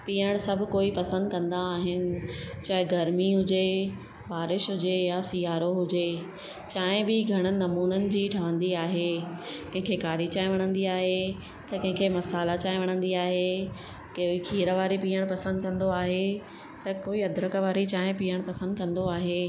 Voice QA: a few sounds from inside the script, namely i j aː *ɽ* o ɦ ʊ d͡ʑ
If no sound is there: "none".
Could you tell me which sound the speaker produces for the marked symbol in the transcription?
ɾ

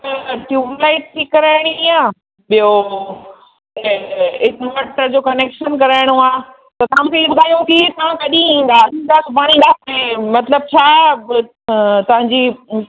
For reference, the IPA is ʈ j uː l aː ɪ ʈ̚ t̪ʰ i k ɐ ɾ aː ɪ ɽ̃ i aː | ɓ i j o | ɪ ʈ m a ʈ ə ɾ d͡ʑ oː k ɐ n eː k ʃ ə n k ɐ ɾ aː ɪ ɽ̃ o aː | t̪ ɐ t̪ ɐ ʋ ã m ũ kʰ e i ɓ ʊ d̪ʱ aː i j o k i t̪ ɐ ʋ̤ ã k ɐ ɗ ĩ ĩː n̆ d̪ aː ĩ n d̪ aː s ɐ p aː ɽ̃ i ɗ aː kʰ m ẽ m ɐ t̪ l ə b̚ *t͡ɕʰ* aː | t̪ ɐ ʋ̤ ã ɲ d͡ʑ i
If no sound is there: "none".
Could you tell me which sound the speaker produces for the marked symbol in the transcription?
t͡ɕʰ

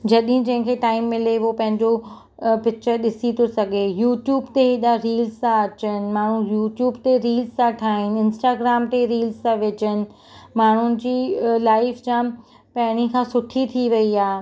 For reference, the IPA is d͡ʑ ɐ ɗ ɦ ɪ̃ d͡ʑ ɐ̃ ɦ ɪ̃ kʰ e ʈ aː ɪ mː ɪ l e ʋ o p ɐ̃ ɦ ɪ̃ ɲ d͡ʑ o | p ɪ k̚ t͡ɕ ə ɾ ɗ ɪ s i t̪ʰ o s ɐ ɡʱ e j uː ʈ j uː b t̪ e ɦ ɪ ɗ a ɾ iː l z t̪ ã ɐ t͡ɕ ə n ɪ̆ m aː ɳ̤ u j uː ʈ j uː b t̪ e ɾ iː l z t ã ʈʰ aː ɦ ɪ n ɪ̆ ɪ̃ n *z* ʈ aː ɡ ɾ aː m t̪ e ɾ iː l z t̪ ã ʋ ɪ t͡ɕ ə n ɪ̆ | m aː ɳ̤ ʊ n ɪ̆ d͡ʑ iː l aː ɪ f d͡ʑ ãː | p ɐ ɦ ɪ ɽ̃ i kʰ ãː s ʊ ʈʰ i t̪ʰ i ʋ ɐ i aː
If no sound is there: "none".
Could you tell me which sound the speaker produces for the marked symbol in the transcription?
s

